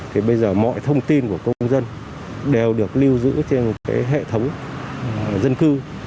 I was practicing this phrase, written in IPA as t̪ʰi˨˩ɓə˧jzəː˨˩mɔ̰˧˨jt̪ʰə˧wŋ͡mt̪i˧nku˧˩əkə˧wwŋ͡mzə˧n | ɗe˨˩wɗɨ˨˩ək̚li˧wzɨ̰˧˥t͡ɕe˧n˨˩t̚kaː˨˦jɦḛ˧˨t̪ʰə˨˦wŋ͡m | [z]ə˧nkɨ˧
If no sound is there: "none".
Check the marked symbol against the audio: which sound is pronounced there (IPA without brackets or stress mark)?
z